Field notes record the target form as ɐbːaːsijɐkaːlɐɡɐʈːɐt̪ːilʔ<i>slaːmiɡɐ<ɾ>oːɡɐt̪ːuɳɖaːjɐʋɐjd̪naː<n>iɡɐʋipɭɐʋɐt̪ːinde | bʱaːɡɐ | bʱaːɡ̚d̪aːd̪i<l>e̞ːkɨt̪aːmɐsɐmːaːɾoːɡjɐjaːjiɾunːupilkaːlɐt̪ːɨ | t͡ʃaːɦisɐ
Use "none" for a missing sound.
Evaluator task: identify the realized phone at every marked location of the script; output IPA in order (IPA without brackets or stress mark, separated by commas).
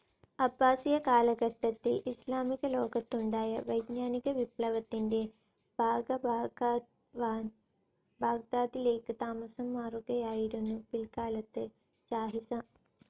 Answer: i, l, n, l